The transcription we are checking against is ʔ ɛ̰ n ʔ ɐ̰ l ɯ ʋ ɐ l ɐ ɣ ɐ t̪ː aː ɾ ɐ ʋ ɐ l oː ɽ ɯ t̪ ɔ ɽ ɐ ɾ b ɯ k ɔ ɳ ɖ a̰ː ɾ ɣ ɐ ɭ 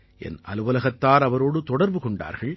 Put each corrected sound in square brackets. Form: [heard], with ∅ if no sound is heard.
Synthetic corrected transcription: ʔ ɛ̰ n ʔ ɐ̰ l ɯ ʋ ɐ l ɐ ɣ ɐ t̪ː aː ɾ ɐ ʋ ɐ [ɾ] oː ɽ ɯ t̪ ɔ ɽ ɐ ɾ b ɯ k ɔ ɳ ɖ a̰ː ɾ ɣ ɐ ɭ

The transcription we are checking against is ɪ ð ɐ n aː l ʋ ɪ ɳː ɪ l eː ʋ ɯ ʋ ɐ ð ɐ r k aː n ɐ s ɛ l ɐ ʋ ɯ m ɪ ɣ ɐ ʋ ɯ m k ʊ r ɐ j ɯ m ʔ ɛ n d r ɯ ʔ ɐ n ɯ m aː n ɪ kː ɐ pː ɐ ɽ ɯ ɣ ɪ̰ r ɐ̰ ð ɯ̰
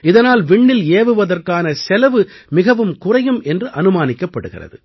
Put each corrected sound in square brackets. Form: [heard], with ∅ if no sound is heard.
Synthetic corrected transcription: ɪ ð ɐ n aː l ʋ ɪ ɳː ɪ l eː ʋ ɯ ʋ ɐ ð ɐ r k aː n ɐ s ɛ l ɐ ʋ ɯ m ɪ ɣ ɐ ʋ ɯ m k ʊ r ɐ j ɯ m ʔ ɛ n d r ɯ ʔ ɐ n ɯ m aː n ɪ kː ɐ pː ɐ ɽ ɯ ɣ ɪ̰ r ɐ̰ ð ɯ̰

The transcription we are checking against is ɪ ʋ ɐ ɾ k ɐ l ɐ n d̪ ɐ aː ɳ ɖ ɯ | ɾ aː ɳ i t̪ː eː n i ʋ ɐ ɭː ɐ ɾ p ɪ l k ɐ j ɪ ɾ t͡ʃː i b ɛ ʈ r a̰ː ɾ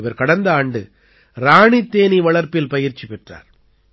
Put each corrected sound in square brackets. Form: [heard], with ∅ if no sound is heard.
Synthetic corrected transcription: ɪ ʋ ɐ ɾ k ɐ [ɽ] ɐ n d̪ ɐ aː ɳ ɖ ɯ | ɾ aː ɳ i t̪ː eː n i ʋ ɐ [ɭ] ɐ ɾ p ɪ l [p] ɐ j ɪ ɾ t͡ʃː i [p] ɛ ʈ r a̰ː ɾ

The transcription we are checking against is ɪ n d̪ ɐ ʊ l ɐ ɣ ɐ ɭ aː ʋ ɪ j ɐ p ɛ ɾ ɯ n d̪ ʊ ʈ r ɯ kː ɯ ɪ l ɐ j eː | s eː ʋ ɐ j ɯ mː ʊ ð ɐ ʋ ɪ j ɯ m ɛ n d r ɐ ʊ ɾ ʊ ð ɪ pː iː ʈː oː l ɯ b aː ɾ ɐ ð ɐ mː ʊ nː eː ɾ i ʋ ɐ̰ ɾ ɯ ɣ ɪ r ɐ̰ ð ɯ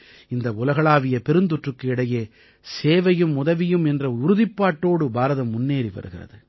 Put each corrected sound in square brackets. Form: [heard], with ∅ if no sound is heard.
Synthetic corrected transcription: ɪ n d̪ ɐ ʊ l ɐ ɣ ɐ ɭ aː ʋ ɪ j ɐ p ɛ ɾ ɯ n d̪ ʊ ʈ r ɯ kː ɯ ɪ [ɽ] ɐ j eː | s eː ʋ ɐ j ɯ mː ʊ ð ɐ ʋ ɪ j ɯ m ɛ n d r ɐ ʊ ɾ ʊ ð ɪ pː [aː] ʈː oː [ɽ] ɯ b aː ɾ ɐ ð ɐ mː ʊ nː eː ɾ i ʋ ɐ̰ ɾ ɯ ɣ ɪ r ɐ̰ ð ɯ

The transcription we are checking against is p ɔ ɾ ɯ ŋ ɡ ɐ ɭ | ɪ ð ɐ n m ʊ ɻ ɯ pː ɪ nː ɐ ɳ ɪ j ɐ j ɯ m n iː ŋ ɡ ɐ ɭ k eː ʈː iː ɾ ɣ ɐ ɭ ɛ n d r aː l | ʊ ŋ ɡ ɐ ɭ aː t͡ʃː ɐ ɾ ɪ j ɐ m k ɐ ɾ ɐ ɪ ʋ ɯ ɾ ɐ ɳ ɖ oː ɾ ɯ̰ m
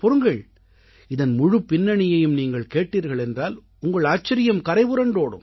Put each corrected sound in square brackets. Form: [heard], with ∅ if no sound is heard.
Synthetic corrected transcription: p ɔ ɾ ɯ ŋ ɡ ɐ ɭ | ɪ ð ɐ n m ʊ ɻ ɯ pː ɪ nː ɐ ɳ ɪ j ɐ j ɯ m n iː ŋ ɡ ɐ ɭ k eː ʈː iː ɾ ɣ ɐ ɭ ɛ n d r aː l | ʊ ŋ ɡ ɐ ɭ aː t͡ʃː ɐ ɾ ɪ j ɐ m k ɐ ɾ ɐ ɪ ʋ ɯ ɾ ɐ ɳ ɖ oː [ɽ] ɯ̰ m

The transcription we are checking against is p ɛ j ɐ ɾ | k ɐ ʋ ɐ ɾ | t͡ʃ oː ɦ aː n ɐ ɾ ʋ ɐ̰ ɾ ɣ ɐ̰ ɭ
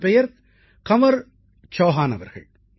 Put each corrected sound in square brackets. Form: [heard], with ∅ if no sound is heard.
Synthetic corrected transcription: p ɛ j ɐ ɾ | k ɐ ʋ ɐ ɾ | t͡ʃ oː ɦ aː n ɐ [∅] ʋ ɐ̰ ɾ ɣ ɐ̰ ɭ

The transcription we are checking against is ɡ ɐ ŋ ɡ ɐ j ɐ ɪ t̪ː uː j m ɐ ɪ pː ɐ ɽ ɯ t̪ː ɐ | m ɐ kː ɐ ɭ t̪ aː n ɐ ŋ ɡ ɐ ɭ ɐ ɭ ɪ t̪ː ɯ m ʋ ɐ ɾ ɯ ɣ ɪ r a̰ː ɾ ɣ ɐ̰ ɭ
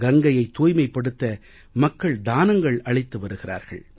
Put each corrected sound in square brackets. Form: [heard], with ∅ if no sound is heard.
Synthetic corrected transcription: ɡ ɐ ŋ ɡ ɐ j ɐ ɪ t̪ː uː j m ɐ ɪ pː ɐ ɽ ɯ t̪ː ɐ | m ɐ kː ɐ ɭ [d̪] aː n ɐ ŋ ɡ ɐ ɭ ɐ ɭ ɪ t̪ː ɯ [∅] ʋ ɐ ɾ ɯ ɣ ɪ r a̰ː ɾ ɣ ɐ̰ ɭ

